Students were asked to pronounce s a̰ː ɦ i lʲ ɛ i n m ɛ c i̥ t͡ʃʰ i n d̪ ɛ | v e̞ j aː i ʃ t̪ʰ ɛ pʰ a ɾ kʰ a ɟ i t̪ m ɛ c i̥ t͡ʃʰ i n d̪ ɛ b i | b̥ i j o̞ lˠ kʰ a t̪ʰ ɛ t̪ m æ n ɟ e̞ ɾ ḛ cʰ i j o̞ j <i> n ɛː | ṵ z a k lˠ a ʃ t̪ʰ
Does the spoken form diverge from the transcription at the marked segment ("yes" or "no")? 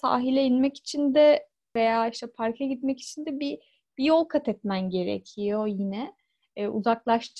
no